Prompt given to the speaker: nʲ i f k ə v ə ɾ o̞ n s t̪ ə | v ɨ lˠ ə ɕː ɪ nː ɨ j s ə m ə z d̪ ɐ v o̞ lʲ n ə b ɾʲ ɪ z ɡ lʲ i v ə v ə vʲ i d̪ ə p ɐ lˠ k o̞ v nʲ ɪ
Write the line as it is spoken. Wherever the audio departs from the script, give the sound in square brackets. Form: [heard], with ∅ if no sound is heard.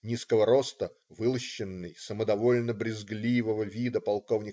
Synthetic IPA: nʲ i [s] k ə v ə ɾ o̞ [∅] s t̪ ə | v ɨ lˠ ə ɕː ɪ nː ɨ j s ə m ə [∅] d̪ ɐ v o̞ lʲ n ə b ɾʲ ɪ z ɡ lʲ i v ə v ə vʲ i d̪ ə p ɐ lˠ k o̞ v nʲ ɪ